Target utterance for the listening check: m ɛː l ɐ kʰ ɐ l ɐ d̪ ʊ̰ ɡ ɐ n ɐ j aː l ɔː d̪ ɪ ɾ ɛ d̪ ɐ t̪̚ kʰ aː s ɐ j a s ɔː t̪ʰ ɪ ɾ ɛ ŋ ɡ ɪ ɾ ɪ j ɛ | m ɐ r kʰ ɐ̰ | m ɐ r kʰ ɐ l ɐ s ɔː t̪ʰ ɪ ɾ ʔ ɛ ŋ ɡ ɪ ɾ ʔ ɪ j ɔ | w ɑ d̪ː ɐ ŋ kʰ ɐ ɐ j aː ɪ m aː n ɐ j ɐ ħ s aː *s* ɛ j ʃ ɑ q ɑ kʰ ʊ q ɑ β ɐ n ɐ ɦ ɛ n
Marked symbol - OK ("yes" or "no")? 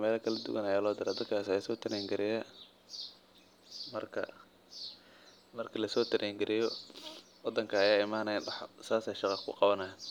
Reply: yes